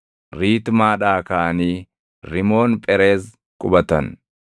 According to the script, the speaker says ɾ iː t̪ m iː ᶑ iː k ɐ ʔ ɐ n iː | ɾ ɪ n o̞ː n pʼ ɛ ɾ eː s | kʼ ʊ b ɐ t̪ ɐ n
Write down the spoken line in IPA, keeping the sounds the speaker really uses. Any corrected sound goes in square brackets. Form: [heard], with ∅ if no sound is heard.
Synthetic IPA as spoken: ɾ iː t̪ m [aː] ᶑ [aː] k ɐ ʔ ɐ n iː | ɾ ɪ [m] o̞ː n pʼ ɛ ɾ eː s | kʼ ʊ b ɐ t̪ ɐ n